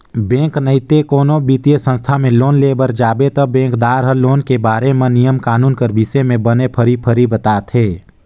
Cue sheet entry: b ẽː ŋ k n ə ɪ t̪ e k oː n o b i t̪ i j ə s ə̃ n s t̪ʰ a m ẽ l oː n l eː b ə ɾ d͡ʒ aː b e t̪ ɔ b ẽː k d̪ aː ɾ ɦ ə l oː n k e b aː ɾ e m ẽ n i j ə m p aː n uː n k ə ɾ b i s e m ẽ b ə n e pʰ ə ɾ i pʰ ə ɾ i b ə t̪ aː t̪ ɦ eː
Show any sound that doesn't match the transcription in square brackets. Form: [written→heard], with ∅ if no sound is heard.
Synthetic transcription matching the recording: b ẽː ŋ k n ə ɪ t̪ e k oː n o b i t̪ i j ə s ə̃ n s t̪ʰ a m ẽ l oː n l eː b ə ɾ d͡ʒ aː b e t̪ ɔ b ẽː k d̪ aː ɾ ɦ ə l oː n k e b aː ɾ e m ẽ n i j ə m [p→k] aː n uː n k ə ɾ b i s e m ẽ b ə n e pʰ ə ɾ i pʰ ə ɾ i b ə t̪ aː t̪ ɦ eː